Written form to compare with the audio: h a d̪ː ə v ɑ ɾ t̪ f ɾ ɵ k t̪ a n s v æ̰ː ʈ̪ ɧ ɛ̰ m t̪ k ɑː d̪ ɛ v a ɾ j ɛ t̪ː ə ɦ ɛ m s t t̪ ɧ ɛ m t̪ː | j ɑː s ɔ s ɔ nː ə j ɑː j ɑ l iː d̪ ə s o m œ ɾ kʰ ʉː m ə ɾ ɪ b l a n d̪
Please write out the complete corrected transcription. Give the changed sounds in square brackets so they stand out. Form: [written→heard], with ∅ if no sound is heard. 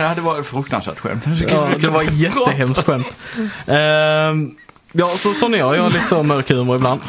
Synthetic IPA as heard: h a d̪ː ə v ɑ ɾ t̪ f ɾ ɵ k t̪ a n s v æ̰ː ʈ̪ ɧ ɛ̰ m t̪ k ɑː d̪ ɛ v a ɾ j ɛ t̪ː ə ɦ ɛ m s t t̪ ɧ ɛ m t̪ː | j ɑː s ɔ s ɔ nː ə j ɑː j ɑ l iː [d̪→t̪] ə s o m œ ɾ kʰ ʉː m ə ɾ ɪ b l a n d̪